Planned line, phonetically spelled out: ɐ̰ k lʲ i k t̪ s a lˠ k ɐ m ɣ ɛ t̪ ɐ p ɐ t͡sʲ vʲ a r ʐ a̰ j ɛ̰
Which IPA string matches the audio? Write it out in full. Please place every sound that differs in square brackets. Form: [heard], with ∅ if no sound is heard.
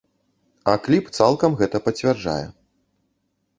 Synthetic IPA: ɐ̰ k lʲ i [p] t̪ s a lˠ k ɐ m ɣ ɛ t̪ ɐ p ɐ t͡sʲ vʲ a r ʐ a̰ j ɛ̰

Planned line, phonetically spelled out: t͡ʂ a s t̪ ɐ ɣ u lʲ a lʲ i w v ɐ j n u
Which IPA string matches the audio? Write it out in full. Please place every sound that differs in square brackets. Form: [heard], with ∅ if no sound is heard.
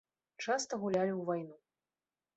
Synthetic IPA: t͡ʂ a s t̪ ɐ ɣ u lʲ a lʲ i w v [a] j n u

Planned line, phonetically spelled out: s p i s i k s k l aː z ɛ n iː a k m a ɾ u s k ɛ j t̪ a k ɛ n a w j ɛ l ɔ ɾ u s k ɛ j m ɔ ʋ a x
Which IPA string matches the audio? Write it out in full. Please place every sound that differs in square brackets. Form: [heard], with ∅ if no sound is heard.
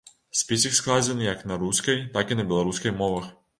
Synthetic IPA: s p i s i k s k l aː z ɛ n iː a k [n] a ɾ u s k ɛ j t̪ a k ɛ n a [b] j ɛ l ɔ ɾ u s k ɛ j m ɔ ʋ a x

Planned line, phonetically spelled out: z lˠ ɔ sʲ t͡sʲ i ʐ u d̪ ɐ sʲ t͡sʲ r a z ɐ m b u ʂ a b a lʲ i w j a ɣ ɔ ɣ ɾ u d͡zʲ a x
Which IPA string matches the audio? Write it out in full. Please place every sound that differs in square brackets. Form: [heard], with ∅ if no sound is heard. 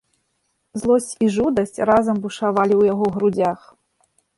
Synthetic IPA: z lˠ ɔ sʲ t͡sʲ i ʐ u d̪ ɐ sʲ t͡sʲ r a z ɐ m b u ʂ a [v] a lʲ i w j a ɣ ɔ ɣ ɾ u d͡zʲ a x

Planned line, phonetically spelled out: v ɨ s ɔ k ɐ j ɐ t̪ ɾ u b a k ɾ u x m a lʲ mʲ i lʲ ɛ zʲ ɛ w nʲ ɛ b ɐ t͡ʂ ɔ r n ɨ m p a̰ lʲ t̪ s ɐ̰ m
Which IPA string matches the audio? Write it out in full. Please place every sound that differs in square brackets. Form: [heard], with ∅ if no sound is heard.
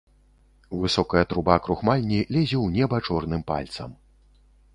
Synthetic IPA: v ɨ s ɔ k ɐ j ɐ t̪ ɾ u b a k ɾ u x m a lʲ [nʲ] i lʲ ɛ zʲ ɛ w nʲ ɛ b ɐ t͡ʂ ɔ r n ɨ m p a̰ lʲ t̪ s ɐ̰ m

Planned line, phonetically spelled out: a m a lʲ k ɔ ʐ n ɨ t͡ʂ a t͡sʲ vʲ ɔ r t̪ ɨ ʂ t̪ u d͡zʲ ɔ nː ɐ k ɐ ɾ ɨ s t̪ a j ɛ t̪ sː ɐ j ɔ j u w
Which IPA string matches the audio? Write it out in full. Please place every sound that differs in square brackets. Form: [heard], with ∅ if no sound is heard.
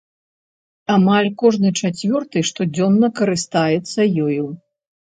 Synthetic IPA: a m a lʲ k ɔ ʐ n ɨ t͡ʂ a t͡sʲ vʲ ɔ r t̪ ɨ ʂ t̪ [ɔ] d͡zʲ ɔ nː ɐ k ɐ ɾ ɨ s t̪ a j ɛ t̪ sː ɐ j ɔ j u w

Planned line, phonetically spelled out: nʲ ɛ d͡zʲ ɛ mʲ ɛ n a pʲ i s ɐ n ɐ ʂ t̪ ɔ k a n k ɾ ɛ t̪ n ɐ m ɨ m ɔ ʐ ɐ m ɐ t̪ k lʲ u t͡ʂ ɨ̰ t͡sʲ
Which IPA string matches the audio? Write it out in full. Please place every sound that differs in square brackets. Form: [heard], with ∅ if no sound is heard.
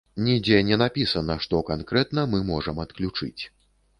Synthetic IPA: nʲ [i] d͡zʲ ɛ [nʲ] ɛ n a pʲ i s ɐ n ɐ ʂ t̪ ɔ k a n k ɾ ɛ t̪ n ɐ m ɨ m ɔ ʐ ɐ m ɐ t̪ k lʲ u t͡ʂ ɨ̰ t͡sʲ

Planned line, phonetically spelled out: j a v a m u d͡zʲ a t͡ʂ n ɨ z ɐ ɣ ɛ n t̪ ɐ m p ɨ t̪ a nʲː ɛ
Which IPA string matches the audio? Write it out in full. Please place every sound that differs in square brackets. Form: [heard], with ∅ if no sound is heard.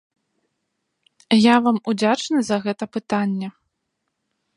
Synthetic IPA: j a v a m u d͡zʲ a t͡ʂ n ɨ z ɐ ɣ ɛ [∅] t̪ ɐ [∅] p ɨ t̪ a nʲː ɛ

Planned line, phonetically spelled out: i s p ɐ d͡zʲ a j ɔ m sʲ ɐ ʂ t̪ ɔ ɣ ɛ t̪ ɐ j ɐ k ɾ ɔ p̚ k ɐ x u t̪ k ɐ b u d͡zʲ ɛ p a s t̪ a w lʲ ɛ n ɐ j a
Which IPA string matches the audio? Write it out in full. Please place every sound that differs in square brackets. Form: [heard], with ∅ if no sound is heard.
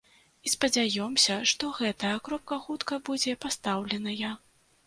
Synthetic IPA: i s p ɐ d͡zʲ a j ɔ m sʲ ɐ ʂ t̪ ɔ ɣ ɛ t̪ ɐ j ɐ k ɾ ɔ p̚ k ɐ x u t̪ k ɐ b u d͡zʲ ɛ p a s t̪ a w lʲ ɛ n ɐ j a

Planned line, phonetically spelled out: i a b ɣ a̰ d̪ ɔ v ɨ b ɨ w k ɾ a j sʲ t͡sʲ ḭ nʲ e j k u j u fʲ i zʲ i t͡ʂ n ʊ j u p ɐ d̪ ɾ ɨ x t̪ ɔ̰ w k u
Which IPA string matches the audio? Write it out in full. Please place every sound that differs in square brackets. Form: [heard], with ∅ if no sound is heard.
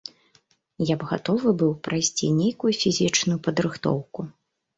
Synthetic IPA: [j] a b ɣ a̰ [t̪] ɔ v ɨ b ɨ w [p] ɾ a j sʲ t͡sʲ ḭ nʲ e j k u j u fʲ i zʲ i t͡ʂ n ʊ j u p ɐ d̪ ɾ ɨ x t̪ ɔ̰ w k u

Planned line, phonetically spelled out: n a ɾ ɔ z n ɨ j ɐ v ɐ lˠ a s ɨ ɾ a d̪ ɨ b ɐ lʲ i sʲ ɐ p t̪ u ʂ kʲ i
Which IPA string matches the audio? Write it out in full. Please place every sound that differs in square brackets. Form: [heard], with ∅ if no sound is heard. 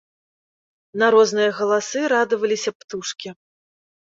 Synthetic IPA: n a ɾ ɔ z n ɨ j ɐ [ɣ] ɐ lˠ a s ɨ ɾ a d̪ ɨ [v] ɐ lʲ i sʲ ɐ p t̪ u ʂ kʲ i

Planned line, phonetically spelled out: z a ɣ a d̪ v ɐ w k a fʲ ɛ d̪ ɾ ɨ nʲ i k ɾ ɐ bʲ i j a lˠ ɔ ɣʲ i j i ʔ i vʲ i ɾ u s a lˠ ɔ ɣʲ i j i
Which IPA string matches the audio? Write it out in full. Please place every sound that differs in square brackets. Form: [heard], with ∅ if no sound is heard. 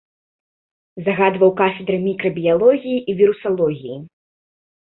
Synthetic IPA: z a ɣ a d̪ v ɐ w k a fʲ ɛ d̪ ɾ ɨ [mʲ] i k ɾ ɐ bʲ i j a lˠ ɔ ɣʲ i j i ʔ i vʲ i ɾ u s a lˠ ɔ ɣʲ i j i

